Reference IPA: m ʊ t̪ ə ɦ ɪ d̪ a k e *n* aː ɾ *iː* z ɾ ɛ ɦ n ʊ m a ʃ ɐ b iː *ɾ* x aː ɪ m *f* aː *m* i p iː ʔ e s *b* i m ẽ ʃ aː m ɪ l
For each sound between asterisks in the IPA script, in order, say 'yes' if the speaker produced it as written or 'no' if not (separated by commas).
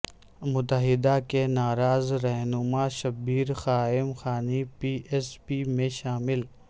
yes, no, yes, no, no, no